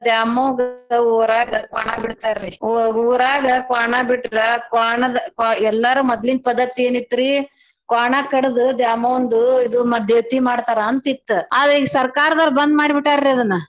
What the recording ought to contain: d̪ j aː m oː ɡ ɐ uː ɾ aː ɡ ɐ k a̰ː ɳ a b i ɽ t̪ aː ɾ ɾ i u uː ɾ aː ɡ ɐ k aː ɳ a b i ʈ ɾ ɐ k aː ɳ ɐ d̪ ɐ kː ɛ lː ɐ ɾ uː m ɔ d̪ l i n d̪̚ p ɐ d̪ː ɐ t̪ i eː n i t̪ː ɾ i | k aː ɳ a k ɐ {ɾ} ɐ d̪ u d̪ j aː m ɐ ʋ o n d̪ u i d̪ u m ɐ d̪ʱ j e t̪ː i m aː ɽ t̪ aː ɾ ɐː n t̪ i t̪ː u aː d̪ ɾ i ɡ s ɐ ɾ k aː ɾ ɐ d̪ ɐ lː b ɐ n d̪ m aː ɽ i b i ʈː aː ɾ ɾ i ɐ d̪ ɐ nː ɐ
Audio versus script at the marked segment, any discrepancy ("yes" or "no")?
yes